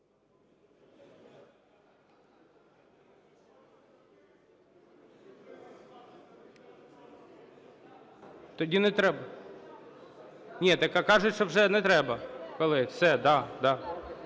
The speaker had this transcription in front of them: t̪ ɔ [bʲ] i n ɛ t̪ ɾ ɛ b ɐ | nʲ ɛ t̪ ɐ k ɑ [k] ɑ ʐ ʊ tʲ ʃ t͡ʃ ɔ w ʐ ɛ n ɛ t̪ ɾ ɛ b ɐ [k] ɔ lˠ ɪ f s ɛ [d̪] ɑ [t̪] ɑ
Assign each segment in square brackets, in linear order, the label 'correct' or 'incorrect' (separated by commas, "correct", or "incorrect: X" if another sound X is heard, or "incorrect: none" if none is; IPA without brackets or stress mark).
incorrect: dʲ, correct, correct, correct, incorrect: d̪